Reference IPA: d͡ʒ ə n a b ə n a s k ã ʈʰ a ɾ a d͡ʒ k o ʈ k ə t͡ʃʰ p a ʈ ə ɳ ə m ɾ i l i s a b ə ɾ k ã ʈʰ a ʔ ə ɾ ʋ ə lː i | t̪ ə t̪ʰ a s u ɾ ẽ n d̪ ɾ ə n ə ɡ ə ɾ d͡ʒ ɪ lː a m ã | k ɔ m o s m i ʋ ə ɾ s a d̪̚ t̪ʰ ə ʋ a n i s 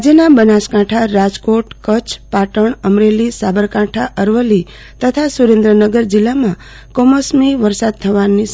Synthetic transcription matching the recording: d͡ʒ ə n a b ə n a s k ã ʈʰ a ɾ a d͡ʒ k o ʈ k ə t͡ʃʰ p a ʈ ə ɳ ə m ɾ e l i s a b ə ɾ k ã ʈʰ a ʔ ə ɾ ʋ ə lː i | t̪ ə t̪ʰ a s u ɾ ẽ n d̪ ɾ ə n ə ɡ ə ɾ d͡ʒ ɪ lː a m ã | k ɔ m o s m i ʋ ə ɾ s a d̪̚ t̪ʰ ə ʋ a n i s